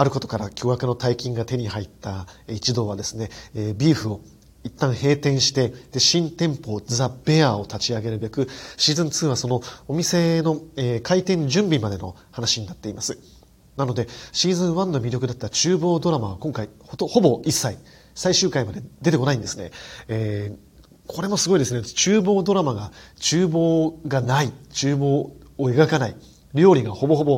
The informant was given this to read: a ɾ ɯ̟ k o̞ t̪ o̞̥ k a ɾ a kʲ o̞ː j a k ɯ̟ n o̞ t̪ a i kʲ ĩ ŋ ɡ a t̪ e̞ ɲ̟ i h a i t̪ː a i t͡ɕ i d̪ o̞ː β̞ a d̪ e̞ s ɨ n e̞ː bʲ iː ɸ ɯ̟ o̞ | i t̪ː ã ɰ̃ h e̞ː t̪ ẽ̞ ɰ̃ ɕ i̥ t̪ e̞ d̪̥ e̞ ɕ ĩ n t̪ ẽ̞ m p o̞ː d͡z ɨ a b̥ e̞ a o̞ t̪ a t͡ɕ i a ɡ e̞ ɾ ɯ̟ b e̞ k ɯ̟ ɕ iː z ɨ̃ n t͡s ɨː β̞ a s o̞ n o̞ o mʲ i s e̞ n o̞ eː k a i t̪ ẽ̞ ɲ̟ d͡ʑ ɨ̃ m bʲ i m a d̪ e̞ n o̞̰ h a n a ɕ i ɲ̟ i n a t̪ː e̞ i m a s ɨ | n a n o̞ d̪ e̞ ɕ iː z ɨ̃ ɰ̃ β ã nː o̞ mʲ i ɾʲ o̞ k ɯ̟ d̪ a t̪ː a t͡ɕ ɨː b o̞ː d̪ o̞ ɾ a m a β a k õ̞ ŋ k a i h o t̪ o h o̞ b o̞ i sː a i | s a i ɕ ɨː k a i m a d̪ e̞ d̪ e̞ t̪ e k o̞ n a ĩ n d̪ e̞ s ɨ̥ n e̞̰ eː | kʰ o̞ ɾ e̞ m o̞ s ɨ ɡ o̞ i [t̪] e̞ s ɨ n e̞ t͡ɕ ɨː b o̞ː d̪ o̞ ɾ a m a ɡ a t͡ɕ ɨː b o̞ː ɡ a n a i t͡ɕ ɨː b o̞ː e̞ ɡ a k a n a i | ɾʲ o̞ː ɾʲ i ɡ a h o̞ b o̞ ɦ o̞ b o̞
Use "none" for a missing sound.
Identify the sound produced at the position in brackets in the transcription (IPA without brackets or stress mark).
d̪